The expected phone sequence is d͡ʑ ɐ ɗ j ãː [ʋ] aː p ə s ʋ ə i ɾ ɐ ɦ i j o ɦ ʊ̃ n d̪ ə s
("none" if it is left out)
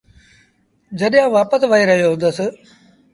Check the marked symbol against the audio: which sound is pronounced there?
ʋ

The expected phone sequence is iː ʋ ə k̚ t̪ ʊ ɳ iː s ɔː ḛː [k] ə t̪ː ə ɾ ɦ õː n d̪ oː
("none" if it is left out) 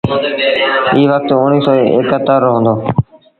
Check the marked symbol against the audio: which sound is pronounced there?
k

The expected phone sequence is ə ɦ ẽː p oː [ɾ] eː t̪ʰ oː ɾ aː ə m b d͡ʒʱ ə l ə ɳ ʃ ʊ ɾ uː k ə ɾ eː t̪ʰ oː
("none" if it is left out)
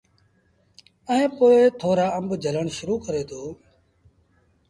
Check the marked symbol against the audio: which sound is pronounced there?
none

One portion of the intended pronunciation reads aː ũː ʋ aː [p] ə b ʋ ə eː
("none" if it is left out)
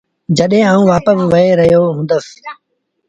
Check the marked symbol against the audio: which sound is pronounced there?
p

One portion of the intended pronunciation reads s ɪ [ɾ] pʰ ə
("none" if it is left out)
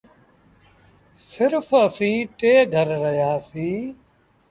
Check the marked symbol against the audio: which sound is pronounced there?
ɾ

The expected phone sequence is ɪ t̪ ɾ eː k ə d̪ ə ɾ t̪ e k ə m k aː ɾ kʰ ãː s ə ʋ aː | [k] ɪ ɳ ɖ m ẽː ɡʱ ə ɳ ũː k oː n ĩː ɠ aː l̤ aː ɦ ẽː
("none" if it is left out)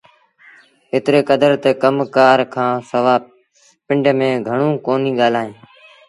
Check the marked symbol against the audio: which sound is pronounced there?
p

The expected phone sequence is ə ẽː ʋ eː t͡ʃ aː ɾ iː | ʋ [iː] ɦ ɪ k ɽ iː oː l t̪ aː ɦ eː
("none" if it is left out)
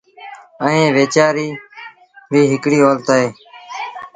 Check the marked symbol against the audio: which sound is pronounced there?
iː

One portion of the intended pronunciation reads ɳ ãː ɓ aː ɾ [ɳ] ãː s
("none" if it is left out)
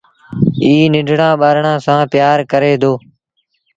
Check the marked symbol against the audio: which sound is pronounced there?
ɳ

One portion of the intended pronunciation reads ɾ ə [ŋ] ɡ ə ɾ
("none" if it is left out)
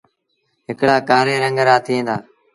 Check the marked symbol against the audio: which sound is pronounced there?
ŋ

